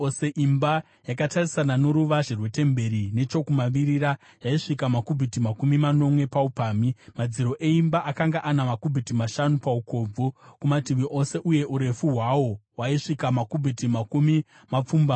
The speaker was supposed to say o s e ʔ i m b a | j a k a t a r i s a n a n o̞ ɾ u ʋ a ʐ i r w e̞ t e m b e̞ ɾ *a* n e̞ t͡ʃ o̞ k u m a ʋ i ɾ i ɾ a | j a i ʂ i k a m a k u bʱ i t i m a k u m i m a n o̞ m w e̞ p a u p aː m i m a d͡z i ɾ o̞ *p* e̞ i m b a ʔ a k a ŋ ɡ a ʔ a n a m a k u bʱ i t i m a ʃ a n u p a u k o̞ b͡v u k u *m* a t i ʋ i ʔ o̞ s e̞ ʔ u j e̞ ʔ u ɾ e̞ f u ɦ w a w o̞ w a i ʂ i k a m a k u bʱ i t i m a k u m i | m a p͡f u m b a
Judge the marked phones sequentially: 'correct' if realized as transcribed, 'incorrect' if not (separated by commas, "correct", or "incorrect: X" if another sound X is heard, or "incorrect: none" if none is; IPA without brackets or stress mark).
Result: incorrect: i, incorrect: ʔ, correct